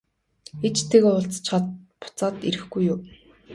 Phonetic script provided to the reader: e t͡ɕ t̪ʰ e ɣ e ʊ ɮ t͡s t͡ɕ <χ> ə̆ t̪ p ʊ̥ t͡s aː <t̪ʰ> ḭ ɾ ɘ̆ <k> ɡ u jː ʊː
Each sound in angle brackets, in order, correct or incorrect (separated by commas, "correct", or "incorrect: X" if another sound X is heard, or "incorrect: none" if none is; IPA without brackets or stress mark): correct, incorrect: t̪, incorrect: x